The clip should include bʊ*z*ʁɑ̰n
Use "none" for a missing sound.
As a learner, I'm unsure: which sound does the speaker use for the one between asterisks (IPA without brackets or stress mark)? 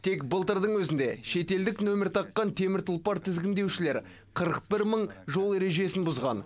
z